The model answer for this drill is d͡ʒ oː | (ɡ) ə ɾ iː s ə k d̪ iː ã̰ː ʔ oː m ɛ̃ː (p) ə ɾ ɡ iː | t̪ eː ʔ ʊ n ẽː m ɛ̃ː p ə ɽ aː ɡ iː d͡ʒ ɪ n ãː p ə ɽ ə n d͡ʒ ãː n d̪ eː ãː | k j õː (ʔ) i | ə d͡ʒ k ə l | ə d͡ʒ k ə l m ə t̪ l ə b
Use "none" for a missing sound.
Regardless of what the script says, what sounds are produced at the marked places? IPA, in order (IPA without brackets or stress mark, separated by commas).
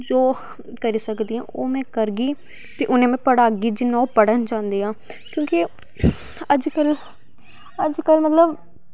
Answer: k, k, k